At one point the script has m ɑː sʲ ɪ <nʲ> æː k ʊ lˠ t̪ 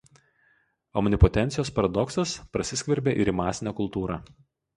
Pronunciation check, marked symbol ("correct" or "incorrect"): correct